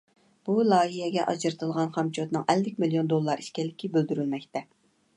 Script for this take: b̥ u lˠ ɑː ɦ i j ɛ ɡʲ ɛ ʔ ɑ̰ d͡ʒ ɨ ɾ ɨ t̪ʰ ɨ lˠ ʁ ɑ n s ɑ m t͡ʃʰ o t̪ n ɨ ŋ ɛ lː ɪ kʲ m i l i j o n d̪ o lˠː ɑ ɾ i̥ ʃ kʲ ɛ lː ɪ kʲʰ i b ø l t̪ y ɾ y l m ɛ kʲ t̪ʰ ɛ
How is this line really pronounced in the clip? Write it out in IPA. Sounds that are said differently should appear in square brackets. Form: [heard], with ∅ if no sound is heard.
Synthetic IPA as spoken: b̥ u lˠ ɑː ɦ i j ɛ ɡʲ ɛ ʔ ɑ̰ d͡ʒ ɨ ɾ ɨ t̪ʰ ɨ lˠ ʁ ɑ n [χ] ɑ m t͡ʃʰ o t̪ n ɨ ŋ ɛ lː ɪ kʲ m i l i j o n d̪ o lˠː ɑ ɾ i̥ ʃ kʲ ɛ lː ɪ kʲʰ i b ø l [d̪] y ɾ y l m ɛ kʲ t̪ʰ ɛ